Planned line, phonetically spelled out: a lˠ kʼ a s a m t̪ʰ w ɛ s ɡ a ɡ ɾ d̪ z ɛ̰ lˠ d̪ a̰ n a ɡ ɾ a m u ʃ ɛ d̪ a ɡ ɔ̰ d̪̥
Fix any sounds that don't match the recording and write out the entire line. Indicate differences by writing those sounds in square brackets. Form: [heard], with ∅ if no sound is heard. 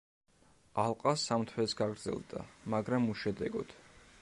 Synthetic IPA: a lˠ [qʼ] a s a m t̪ʰ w ɛ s ɡ a ɡ ɾ d̪ z ɛ̰ lˠ d̪ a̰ [m] a ɡ ɾ a m u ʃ ɛ d̪ [ɛ] ɡ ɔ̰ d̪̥